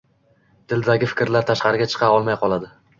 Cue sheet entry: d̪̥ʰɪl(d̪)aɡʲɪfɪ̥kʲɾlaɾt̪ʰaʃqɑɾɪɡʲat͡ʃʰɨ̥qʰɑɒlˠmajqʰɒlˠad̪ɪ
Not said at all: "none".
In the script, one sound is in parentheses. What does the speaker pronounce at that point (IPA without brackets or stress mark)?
d̪